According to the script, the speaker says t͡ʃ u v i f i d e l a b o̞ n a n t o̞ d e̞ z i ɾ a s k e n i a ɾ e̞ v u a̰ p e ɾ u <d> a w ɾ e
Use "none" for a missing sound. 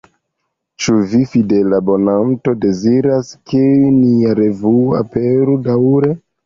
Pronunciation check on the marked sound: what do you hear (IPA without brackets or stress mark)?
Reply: d